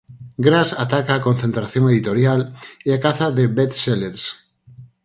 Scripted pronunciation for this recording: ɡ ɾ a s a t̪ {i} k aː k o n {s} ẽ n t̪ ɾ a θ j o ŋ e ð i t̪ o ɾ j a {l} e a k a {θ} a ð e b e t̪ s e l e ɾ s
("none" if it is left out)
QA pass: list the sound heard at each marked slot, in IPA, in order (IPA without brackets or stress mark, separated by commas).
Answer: a, θ, l, θ